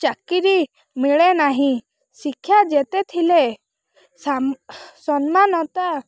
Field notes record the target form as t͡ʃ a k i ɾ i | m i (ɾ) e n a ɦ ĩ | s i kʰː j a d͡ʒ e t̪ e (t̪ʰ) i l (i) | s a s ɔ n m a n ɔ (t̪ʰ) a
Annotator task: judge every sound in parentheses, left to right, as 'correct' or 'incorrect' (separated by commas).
incorrect, correct, incorrect, incorrect